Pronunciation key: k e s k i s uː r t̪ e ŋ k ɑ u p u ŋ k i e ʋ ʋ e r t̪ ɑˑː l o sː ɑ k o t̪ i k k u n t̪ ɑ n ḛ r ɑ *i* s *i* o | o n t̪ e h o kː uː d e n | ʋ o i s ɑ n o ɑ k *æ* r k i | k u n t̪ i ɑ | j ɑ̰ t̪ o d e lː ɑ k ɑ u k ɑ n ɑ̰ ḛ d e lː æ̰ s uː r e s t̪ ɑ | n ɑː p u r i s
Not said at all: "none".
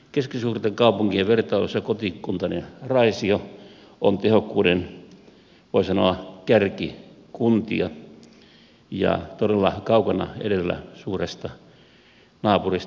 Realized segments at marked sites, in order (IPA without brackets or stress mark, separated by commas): i, i, æ